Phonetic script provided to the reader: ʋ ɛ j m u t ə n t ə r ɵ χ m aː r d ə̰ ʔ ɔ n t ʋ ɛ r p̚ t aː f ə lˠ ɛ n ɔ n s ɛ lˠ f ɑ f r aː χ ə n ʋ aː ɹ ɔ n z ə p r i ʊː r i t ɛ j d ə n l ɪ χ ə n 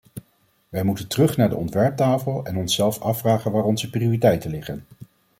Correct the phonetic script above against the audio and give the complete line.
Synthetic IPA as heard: ʋ ɛ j m u t ə n t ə r ɵ χ n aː ɹ d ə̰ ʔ ɔ n t ʋ ɛ ɹ p̚ t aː f ə lˠ ɛ n ɔ n s ɛ lˠ f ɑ f r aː χ ə n ʋ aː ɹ ɔ n z ə p r i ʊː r i t ɛ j t ə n l ɪ χ ə n